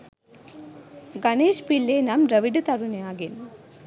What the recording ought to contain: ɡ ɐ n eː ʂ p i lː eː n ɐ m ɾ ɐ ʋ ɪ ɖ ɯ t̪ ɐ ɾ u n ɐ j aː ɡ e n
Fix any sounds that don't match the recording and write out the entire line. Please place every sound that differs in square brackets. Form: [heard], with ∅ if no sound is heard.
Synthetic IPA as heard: ɡ ɐ n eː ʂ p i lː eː n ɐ m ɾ ɐ ʋ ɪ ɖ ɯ t̪ ɐ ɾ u n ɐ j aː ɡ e n